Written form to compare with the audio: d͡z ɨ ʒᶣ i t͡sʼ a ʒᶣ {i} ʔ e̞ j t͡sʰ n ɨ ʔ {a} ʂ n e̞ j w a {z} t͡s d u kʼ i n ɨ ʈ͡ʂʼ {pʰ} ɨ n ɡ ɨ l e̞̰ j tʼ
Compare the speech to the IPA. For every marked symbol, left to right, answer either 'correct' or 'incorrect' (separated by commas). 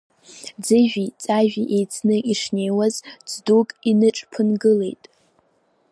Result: correct, incorrect, correct, correct